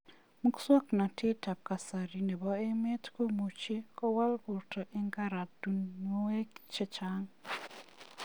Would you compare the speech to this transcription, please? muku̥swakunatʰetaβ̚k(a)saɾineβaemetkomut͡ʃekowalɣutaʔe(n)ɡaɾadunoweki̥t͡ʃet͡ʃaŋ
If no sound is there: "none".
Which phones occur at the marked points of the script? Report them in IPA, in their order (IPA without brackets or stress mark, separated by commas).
a, ŋ